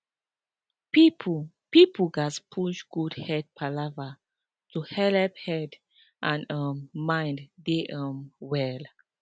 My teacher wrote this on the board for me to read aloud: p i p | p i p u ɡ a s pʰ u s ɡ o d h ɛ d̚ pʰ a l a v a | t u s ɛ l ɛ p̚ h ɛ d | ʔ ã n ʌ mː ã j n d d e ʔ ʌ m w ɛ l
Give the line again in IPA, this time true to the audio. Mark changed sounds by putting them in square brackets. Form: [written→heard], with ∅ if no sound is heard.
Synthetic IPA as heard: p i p | p i p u ɡ a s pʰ u [s→ʃ] ɡ [o→u] d h ɛ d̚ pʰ a l a v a | t u [s→h] ɛ l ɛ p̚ h ɛ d | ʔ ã n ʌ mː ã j n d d e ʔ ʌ m w ɛ l